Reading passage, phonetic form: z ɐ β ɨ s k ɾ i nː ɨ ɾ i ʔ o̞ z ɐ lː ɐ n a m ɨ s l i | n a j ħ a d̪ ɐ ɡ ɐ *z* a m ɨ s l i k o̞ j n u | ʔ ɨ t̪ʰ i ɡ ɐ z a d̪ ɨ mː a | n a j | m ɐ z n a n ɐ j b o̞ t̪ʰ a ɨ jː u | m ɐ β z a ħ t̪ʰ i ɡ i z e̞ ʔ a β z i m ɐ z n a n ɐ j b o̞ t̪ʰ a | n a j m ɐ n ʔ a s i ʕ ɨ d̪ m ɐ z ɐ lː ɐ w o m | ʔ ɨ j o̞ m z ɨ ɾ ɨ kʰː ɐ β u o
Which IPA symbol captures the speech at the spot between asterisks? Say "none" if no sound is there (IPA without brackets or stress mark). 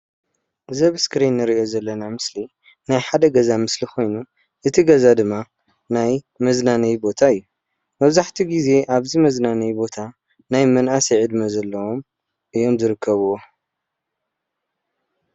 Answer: z